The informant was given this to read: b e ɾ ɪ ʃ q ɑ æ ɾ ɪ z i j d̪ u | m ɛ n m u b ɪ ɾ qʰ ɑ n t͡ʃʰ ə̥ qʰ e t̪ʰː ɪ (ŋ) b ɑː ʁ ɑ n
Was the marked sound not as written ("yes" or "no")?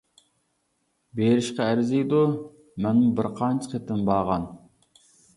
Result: yes